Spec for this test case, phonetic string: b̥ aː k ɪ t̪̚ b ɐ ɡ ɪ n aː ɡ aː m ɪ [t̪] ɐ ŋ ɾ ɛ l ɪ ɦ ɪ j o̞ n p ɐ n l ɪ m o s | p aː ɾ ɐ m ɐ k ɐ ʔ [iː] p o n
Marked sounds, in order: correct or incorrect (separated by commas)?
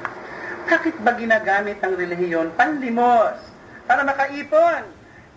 correct, correct